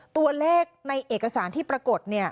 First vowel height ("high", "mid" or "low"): high